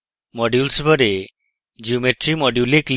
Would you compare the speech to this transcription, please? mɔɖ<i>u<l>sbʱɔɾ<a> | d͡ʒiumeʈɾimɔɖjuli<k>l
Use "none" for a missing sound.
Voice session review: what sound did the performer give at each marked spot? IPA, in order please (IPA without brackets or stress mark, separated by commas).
j, l, e, k